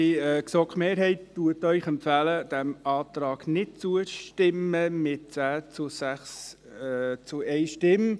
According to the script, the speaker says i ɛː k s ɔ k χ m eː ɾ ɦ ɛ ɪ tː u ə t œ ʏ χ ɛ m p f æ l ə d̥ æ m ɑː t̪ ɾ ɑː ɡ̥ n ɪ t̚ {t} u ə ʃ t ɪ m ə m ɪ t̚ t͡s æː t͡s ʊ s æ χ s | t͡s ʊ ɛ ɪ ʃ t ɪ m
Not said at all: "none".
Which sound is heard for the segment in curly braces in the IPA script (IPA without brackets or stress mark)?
t͡s